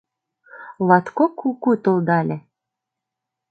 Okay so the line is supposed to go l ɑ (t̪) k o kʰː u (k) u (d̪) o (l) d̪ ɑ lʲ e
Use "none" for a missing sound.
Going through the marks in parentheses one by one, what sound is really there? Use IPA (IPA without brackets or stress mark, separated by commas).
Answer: t̪, k, t̪, l